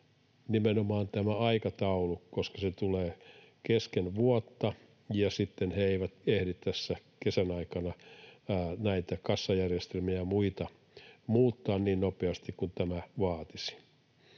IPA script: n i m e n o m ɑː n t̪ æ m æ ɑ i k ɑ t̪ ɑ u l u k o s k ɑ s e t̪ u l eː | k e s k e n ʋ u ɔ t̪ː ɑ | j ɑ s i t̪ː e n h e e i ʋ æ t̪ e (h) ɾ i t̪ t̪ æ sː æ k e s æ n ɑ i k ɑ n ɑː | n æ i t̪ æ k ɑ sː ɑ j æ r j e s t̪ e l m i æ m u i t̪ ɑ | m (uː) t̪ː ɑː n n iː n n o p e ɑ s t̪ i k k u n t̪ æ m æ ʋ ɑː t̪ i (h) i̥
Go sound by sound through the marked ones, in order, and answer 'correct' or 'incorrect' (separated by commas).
correct, correct, incorrect